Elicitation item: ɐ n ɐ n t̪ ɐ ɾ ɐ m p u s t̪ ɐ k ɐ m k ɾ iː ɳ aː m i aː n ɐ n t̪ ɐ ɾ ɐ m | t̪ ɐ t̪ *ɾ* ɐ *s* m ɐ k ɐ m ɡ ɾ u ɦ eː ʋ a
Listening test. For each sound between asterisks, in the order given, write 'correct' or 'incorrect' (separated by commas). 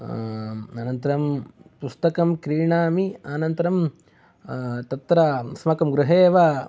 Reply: correct, correct